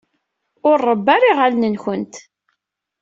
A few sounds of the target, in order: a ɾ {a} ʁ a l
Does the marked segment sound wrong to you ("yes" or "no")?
yes